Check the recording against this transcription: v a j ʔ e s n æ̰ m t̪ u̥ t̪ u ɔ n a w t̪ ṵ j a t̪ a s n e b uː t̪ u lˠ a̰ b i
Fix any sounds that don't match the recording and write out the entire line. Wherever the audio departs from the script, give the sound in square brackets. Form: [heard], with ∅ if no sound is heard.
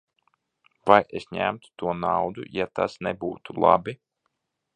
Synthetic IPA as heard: v a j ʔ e s [ɲ] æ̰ m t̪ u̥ t̪ u ɔ n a w [d̪] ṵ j a t̪ a s n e b uː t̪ u lˠ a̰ b i